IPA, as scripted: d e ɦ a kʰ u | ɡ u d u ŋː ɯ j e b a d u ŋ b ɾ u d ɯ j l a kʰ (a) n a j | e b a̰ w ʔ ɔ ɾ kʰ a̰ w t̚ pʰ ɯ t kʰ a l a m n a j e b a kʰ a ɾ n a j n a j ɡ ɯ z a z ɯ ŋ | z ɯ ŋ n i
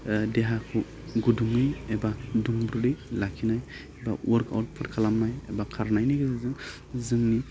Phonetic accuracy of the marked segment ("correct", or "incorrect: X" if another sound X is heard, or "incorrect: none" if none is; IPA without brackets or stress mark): incorrect: i